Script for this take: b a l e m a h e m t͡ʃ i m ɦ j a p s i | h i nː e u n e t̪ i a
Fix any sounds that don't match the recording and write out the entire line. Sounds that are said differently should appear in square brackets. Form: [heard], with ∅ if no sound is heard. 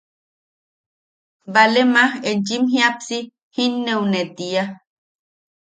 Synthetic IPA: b a l e m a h e [n] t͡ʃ i m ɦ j a p s i | h i nː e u n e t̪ i a